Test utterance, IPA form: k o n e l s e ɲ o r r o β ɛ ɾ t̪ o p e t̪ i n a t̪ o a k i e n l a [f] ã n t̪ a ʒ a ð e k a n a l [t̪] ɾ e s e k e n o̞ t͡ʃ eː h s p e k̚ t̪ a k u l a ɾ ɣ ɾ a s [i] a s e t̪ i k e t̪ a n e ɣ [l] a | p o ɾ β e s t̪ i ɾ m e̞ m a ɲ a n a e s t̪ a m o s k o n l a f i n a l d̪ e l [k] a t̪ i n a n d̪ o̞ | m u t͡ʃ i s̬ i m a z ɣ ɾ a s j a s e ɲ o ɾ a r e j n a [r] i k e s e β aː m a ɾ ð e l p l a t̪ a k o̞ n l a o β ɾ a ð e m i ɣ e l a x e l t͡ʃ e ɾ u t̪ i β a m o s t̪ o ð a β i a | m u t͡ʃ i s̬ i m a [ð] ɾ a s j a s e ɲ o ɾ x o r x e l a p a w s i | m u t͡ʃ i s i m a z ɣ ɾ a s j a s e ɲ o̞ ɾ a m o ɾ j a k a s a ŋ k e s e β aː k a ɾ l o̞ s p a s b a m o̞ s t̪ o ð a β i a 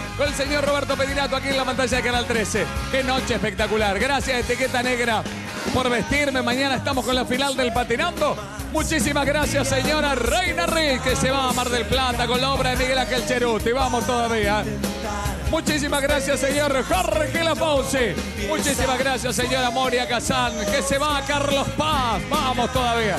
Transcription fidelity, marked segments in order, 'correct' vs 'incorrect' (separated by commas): correct, correct, incorrect, incorrect, incorrect, correct, incorrect